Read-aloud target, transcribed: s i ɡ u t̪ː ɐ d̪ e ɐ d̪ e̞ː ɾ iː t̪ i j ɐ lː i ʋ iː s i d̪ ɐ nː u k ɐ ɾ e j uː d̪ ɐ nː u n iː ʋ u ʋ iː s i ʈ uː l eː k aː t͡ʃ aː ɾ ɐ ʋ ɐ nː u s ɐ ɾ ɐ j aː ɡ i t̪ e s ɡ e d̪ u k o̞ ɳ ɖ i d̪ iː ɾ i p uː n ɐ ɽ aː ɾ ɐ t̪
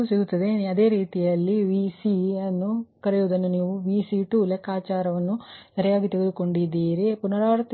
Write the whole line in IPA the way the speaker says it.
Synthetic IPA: s i ɡ u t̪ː ɐ d̪ e ɐ d̪ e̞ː ɾ iː t̪ i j ɐ lː i ʋ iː s i ɐ nː u k ɐ ɾ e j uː d̪ ɐ nː u n iː ʋ u ʋ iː s i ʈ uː l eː k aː t͡ʃ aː ɾ ɐ ʋ ɐ nː u s ɐ ɾ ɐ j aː ɡ i t̪ e ɡ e d̪ u k o̞ ɳ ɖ i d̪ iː ɾ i p u n ɐ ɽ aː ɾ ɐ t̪